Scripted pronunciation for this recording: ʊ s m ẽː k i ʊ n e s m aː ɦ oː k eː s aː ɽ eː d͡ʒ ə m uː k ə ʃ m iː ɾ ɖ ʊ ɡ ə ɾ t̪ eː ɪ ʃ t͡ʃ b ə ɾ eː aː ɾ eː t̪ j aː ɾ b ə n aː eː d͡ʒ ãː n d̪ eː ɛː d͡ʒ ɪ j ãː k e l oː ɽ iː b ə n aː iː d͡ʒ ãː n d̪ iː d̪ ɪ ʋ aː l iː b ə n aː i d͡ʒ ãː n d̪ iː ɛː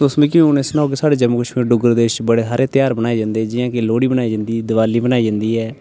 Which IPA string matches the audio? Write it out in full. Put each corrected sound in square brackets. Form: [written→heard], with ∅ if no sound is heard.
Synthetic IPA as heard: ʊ s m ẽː k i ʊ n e s [m→n] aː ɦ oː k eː s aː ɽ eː d͡ʒ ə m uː k ə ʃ m iː ɾ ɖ ʊ ɡ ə ɾ [t̪→d̪] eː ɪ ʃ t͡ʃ b ə [ɾ→ɽ] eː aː ɾ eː t̪ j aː ɾ b ə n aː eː d͡ʒ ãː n d̪ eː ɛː d͡ʒ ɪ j ãː k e l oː ɽ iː b ə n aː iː d͡ʒ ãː n d̪ iː d̪ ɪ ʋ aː l iː b ə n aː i d͡ʒ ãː n d̪ iː ɛː